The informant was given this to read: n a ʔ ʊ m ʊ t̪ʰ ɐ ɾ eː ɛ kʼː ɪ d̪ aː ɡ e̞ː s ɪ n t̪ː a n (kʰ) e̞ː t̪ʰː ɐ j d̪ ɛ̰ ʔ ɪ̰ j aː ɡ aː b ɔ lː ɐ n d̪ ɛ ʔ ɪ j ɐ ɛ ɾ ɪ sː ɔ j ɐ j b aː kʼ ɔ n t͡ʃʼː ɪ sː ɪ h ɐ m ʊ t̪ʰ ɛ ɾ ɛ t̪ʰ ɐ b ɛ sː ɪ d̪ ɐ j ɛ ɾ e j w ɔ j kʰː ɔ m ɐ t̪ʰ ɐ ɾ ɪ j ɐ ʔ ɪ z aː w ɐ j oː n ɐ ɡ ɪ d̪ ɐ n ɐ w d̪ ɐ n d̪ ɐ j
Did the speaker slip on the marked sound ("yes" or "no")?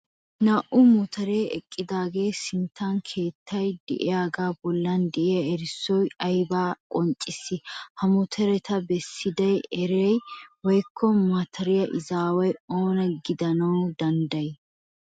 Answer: no